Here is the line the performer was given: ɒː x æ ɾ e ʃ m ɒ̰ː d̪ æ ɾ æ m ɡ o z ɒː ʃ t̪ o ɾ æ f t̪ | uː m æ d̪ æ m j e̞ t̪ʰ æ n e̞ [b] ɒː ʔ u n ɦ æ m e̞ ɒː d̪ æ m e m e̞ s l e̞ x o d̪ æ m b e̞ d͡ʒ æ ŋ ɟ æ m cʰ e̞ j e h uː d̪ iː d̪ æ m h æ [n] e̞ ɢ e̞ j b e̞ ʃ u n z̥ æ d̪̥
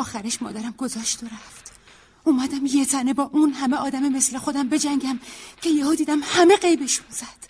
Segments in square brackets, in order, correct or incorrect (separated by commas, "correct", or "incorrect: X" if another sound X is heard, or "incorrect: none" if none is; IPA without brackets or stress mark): correct, incorrect: m